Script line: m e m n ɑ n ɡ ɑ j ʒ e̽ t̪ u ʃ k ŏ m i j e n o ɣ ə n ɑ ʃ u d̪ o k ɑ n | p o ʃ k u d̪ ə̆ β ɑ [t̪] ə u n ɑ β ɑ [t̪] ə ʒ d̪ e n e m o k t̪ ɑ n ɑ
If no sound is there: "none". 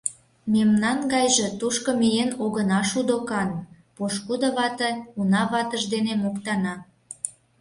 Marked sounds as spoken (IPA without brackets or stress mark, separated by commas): t̪, t̪